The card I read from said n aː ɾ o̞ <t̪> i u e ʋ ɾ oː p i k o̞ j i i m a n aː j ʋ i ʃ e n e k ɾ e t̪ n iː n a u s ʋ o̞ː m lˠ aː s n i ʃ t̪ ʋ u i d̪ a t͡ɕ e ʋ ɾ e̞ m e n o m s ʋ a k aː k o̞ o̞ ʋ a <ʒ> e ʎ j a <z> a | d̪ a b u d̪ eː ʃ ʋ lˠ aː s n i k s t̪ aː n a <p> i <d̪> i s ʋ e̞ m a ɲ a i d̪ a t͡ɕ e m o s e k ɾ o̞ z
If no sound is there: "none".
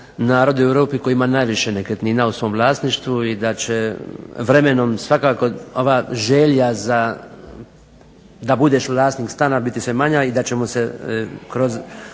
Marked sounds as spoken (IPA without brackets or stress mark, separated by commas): d̪, ʒ, z, b, t̪